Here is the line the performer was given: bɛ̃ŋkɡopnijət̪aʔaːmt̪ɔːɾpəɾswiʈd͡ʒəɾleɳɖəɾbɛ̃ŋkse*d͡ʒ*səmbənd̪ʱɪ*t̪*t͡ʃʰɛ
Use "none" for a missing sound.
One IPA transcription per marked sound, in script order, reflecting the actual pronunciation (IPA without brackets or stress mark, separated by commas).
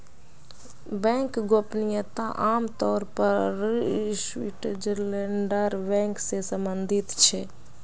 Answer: none, t̪